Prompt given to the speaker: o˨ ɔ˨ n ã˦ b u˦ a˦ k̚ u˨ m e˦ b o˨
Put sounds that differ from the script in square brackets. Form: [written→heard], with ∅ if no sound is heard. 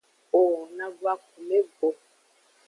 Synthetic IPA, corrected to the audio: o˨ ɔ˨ n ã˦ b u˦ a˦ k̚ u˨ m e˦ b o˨